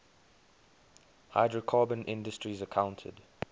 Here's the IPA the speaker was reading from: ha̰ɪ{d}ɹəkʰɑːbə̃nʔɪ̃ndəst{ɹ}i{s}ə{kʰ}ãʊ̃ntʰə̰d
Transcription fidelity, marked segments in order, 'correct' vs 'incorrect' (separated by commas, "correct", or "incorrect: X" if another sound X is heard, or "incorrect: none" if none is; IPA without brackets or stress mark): correct, correct, incorrect: z, correct